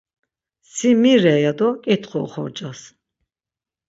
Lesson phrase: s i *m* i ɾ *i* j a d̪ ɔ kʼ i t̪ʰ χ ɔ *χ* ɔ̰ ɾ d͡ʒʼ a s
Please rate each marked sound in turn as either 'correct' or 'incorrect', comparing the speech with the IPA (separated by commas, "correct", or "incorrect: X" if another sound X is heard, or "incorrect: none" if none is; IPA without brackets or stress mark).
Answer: correct, incorrect: ɛ, correct